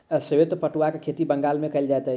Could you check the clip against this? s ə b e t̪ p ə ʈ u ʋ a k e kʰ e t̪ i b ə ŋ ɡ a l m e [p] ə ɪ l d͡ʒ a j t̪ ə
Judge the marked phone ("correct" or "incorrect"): incorrect